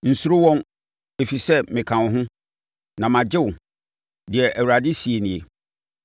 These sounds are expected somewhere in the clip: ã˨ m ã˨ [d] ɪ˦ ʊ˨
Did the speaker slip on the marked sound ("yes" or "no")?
yes